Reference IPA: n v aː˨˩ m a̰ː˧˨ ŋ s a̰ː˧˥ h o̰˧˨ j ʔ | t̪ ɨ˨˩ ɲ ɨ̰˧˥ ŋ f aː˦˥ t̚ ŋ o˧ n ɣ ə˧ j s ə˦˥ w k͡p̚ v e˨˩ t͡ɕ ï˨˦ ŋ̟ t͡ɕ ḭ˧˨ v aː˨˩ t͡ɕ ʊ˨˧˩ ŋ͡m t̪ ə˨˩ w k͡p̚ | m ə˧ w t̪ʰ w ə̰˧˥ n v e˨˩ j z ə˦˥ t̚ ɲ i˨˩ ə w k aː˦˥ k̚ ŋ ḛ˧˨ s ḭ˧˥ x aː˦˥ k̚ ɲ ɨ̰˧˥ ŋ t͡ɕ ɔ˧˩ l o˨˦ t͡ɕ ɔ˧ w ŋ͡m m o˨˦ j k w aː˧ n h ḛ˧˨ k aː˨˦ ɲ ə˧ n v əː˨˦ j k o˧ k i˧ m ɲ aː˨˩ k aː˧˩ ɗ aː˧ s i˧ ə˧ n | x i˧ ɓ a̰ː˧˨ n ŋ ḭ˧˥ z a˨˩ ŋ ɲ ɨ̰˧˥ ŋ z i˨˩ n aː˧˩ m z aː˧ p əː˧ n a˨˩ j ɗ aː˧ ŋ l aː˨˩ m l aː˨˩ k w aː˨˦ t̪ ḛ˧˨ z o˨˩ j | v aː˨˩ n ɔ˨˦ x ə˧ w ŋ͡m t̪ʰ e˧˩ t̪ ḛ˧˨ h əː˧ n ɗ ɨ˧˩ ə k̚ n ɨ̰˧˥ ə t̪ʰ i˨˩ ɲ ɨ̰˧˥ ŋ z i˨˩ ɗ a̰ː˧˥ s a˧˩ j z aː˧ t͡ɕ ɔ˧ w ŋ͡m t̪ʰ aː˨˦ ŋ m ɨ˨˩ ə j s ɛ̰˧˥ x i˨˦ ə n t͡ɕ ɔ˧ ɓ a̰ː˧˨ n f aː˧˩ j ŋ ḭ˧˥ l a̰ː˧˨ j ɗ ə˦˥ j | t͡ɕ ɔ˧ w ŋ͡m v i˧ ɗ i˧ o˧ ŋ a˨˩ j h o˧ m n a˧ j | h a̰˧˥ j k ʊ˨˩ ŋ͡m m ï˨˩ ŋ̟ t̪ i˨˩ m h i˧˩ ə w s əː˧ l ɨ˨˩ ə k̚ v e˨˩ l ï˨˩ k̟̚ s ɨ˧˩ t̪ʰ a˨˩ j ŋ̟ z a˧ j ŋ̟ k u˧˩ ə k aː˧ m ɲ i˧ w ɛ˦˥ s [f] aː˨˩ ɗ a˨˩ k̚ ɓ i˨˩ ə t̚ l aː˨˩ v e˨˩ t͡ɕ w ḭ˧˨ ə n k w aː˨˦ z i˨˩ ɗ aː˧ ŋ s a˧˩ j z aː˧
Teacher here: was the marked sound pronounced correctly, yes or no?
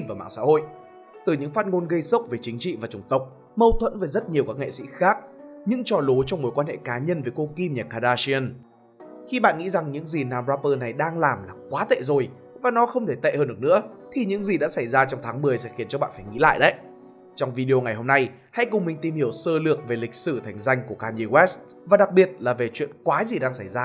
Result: no